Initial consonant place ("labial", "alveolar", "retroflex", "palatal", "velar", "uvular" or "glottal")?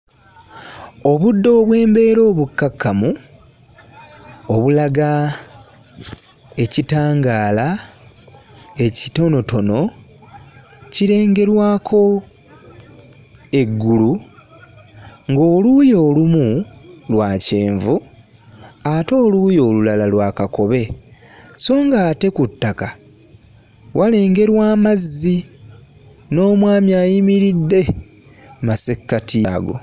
labial